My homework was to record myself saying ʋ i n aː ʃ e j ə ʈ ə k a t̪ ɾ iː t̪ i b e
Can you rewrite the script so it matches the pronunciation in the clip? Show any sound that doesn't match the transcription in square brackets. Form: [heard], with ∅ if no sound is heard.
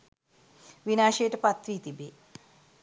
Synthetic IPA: ʋ i n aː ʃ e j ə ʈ ə [p] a t̪ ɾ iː t̪ i b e